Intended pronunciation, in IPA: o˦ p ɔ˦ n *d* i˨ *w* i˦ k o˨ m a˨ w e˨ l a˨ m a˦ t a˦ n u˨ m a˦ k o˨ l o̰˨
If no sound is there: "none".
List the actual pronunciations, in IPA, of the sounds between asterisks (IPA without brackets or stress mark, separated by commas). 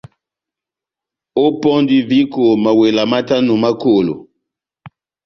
d, v